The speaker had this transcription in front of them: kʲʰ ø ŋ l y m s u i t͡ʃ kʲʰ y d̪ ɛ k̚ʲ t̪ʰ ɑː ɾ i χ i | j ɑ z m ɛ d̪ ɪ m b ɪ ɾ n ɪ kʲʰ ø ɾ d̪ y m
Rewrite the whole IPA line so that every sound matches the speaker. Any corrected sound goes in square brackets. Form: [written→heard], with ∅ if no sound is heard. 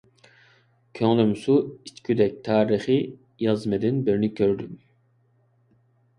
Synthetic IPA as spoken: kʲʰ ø ŋ l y m s u i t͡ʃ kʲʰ y d̪ ɛ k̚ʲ t̪ʰ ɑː ɾ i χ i | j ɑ z m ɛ d̪ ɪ [m→n] b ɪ ɾ n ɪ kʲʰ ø ɾ d̪ y m